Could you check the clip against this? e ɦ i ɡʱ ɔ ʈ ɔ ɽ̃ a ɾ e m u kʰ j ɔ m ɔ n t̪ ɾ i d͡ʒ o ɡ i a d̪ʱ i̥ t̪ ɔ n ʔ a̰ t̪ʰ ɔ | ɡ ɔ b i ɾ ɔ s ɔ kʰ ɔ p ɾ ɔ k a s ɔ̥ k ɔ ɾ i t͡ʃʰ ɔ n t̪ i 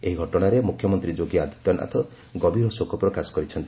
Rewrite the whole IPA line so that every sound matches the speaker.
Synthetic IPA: e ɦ i ɡʱ ɔ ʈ ɔ ɽ̃ a ɾ e m u kʰ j ɔ m ɔ n t̪ ɾ i d͡ʒ o ɡ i a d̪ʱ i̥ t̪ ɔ n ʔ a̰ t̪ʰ ɔ | ɡ ɔ b i ɾ ɔ s o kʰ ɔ p ɾ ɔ k a s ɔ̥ k ɔ ɾ i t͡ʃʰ ɔ n t̪ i